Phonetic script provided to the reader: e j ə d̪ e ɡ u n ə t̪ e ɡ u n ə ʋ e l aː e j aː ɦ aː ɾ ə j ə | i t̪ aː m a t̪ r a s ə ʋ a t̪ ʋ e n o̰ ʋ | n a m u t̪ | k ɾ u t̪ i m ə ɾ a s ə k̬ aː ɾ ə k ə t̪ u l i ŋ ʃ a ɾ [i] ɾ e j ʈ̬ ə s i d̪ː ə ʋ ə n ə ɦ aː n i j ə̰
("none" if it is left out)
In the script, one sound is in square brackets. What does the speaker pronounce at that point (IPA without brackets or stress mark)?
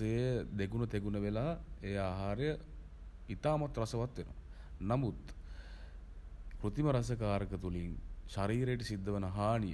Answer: iː